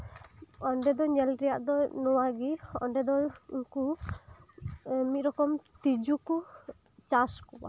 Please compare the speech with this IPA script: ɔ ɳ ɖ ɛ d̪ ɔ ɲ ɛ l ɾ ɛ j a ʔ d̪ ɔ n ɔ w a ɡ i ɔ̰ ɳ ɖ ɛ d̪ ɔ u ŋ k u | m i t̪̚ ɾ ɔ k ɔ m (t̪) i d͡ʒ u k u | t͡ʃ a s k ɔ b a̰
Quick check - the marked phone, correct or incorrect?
correct